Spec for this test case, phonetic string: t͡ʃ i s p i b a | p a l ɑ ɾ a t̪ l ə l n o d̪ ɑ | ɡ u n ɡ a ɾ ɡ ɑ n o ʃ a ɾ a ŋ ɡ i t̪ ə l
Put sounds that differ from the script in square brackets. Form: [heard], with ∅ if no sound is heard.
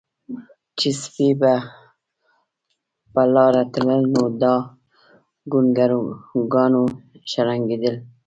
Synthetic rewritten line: t͡ʃ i s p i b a | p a l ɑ ɾ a t̪ l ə l n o d̪ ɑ | ɡ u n ɡ a ɾ ɡ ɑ n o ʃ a ɾ a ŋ ɡ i [d̪] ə l